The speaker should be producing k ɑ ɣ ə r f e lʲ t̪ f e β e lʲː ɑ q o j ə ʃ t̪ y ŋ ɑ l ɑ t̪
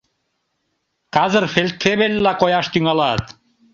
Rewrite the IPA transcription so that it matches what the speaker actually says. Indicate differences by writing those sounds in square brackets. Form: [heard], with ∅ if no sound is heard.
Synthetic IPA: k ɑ [z] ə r f e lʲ t̪ f e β e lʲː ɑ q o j [ɑ] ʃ t̪ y ŋ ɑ l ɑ t̪